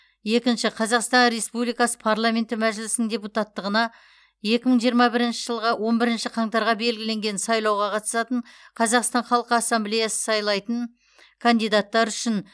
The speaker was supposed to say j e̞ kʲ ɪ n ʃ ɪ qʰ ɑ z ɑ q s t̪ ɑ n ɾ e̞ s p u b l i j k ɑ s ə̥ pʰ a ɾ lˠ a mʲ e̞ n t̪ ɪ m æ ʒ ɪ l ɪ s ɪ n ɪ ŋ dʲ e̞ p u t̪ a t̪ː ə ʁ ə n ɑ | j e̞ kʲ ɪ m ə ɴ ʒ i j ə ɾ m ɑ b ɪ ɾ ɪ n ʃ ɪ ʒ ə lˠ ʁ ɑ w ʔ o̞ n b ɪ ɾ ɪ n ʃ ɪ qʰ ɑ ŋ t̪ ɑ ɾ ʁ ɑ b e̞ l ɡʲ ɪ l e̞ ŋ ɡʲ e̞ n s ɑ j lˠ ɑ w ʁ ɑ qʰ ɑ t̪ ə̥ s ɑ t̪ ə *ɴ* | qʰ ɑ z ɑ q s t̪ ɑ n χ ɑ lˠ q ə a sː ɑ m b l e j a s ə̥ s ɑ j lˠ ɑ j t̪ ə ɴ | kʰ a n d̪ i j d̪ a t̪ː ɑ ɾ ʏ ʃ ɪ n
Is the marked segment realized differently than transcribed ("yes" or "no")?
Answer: no